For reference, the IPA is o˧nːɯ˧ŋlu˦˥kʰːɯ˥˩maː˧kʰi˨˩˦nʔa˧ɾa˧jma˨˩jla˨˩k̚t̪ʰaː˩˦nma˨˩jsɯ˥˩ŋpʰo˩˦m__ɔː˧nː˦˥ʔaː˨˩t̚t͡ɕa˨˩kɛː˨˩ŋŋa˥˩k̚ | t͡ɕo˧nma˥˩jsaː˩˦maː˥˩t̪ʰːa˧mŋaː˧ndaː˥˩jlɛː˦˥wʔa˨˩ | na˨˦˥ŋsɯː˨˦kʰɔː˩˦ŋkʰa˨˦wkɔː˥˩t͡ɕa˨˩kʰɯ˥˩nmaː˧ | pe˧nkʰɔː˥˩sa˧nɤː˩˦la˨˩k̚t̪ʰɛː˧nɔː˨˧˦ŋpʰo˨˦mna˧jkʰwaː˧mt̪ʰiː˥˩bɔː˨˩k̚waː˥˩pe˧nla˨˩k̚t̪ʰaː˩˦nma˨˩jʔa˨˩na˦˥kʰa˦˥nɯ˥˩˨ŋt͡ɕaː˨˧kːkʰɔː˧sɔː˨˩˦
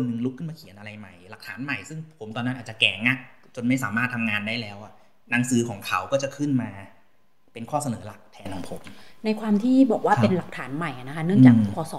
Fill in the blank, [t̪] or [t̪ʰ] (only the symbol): t̪